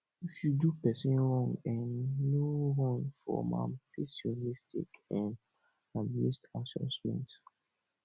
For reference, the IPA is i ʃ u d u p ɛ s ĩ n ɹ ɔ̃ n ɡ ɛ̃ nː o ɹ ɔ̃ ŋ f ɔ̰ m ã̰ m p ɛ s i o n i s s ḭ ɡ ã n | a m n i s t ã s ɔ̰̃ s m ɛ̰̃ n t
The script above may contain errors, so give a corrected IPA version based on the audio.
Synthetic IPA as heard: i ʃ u d u p ɛ s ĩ n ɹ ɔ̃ ŋ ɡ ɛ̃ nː o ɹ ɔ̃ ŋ f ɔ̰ m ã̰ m p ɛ s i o n i s t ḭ k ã n | a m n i s t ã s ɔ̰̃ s m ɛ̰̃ n t

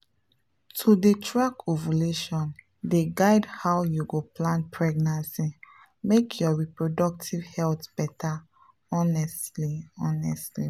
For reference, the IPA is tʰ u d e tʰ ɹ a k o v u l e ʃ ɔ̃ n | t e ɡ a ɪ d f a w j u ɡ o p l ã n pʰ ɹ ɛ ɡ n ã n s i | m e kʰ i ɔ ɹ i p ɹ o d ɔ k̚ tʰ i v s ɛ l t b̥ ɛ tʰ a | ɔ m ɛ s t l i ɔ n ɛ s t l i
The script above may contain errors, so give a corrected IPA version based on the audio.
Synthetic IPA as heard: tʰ u d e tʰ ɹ a k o v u l e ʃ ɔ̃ n | d e ɡ a ɪ d h a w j u ɡ o p l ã n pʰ ɹ ɛ ɡ n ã n s i | m e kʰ j ɔ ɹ i p ɹ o d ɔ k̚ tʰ i v h ɛ l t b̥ ɛ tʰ a | ɔ n ɛ s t l i ɔ n ɛ s t l i

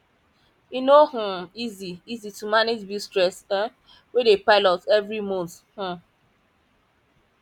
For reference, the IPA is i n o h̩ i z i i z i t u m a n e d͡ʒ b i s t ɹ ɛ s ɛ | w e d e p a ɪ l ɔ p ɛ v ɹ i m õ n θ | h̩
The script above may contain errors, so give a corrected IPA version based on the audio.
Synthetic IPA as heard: i n o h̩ i z i i z i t u m a n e d͡ʒ b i s t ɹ ɛ s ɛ | w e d e p a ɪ l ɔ t ɛ v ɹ i m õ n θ | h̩

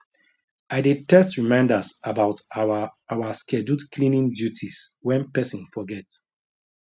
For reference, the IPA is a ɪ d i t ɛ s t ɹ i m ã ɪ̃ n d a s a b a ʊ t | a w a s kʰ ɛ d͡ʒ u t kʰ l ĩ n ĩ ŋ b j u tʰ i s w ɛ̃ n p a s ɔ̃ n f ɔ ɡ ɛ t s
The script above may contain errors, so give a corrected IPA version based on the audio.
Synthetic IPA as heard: a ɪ d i t ɛ s t ɹ i m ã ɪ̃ n d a s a b a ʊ t | a w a s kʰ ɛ d͡ʒ u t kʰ l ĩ n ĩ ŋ d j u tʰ i s w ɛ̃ n p ɛ s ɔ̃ n f ɔ ɡ ɛ t s

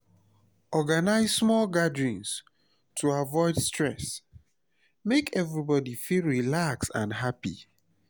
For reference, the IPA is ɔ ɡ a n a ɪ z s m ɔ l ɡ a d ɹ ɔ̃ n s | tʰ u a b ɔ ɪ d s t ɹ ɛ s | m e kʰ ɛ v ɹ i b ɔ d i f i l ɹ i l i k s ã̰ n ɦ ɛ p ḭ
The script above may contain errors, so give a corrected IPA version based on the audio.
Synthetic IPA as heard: ɔ ɡ a n a ɪ z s m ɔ l ɡ a d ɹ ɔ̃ n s | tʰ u a v ɔ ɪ d s t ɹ ɛ s | m e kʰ ɛ v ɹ i b ɔ d i f i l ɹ i l a k s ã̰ n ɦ a p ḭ

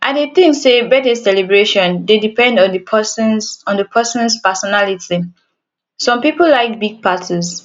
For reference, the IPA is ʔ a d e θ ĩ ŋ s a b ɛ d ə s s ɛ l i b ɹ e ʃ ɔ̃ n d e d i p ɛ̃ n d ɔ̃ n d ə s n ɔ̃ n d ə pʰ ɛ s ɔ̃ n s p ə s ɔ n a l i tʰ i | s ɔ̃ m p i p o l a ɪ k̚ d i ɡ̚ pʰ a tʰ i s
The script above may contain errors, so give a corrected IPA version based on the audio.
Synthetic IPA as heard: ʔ a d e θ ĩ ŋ s e b ɛ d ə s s ɛ l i b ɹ e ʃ ɔ̃ n d e d i p ɛ̃ n d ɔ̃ n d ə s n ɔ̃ n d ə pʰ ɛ s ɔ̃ n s p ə s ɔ n a l i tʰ i | s ɔ̃ m p i p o l a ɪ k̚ b i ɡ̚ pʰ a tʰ i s

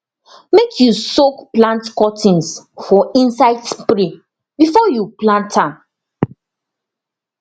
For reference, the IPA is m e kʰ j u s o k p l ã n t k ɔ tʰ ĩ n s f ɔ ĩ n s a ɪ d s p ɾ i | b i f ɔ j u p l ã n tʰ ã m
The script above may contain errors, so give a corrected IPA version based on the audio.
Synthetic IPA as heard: m e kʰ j u s o k p l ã n t k ɔ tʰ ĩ n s f ɔ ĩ n s a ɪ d s p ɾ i | b i f ɔ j u p l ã n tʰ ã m

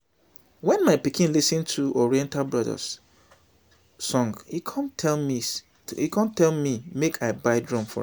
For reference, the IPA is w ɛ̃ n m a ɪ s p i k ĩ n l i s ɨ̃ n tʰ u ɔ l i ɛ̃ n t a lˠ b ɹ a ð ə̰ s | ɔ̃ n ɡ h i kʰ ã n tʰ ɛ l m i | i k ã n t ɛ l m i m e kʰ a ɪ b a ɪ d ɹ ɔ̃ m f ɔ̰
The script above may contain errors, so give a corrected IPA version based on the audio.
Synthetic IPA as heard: w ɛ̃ n m a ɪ p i k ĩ n l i s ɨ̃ n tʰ u ɔ ɹ i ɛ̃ n t a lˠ b ɹ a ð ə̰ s | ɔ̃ ŋ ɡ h i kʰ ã n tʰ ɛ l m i | i k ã n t ɛ l m i m e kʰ a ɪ b a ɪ d ɹ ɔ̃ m f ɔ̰

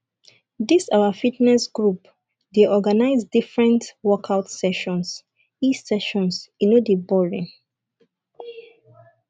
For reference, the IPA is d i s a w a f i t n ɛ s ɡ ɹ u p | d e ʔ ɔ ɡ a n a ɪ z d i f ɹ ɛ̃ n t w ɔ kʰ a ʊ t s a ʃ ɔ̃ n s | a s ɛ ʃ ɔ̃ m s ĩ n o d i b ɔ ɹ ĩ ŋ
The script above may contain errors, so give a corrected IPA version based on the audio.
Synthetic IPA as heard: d i s a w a f i t n ɛ s ɡ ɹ u p | d e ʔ ɔ ɡ a n a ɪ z d i f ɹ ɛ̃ n t w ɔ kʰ a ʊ t s ɛ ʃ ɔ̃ n s | i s ɛ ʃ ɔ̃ n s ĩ n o d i b ɔ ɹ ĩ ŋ

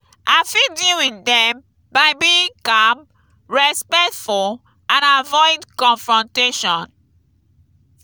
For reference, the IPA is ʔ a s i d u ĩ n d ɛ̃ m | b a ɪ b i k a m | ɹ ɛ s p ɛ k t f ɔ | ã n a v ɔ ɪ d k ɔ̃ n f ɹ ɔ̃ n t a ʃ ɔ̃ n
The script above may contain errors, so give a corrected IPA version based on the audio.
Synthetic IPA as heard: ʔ a f i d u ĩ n d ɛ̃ m | b a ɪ b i k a m | ɹ ɛ s p ɛ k t f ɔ | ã n a v ɔ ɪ d k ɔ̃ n f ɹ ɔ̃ n t e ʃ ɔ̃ n

